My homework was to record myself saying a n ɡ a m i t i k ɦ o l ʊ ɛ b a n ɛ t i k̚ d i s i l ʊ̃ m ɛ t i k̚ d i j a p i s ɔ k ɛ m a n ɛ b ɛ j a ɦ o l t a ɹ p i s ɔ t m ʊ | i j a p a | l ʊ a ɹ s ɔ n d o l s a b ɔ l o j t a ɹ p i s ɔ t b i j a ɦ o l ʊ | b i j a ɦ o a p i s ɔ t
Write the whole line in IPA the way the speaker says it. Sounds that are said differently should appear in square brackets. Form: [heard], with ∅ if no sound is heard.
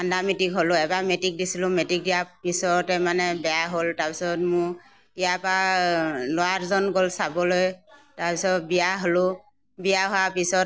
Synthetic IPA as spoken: a n [d] a m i t i k ɦ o l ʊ ɛ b a [m] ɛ t i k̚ d i s i l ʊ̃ m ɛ t i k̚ d i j a p i s ɔ [t] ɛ m a n ɛ b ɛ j a ɦ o l t a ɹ p i s ɔ t m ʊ | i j a p a | l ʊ a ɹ [z] ɔ n [ɡ] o l s a b ɔ l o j t a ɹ p i s ɔ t b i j a ɦ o l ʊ | b i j a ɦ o a p i s ɔ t